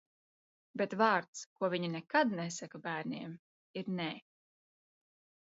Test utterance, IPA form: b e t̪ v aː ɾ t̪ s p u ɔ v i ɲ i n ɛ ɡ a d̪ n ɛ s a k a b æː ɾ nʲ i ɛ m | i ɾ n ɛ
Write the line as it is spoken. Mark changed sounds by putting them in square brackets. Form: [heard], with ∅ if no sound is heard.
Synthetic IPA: b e t̪ v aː ɾ t̪ s [k] u ɔ v i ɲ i n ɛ [k] a d̪ n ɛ s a k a b æː ɾ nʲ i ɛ m | i ɾ n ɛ